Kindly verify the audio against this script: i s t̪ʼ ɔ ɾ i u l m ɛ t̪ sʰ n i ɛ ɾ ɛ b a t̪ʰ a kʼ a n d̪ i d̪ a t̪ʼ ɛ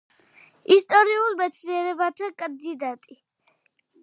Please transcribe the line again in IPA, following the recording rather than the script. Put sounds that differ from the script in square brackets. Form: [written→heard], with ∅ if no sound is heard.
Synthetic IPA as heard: i s t̪ʼ ɔ ɾ i u l m ɛ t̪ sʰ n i ɛ ɾ ɛ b a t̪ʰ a kʼ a n d̪ i d̪ a t̪ʼ [ɛ→i]

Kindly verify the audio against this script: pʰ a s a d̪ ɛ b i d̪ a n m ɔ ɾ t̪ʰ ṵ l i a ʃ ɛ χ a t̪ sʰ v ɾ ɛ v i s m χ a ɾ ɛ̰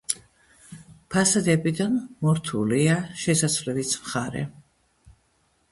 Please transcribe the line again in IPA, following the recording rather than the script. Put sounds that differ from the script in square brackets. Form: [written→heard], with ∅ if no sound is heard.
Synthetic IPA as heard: pʰ a s a d̪ ɛ b i d̪ a n m ɔ ɾ t̪ʰ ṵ l i a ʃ ɛ [χ→s] a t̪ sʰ v [ɾ→l] ɛ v i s m χ a ɾ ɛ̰

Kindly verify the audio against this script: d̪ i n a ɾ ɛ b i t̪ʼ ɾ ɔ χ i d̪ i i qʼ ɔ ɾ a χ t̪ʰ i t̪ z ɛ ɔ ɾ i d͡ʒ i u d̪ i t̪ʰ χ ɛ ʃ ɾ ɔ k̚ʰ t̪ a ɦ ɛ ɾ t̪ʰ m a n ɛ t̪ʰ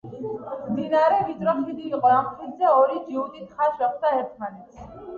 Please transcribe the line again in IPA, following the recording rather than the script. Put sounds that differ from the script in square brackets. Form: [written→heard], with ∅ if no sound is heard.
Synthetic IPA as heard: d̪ i n a ɾ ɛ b i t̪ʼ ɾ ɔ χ i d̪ i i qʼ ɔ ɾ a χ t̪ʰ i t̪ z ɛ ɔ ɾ i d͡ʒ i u [d̪→t̪] i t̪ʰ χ [ɛ→a] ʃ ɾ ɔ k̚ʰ t̪ a ɦ ɛ ɾ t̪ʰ m a n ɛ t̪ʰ

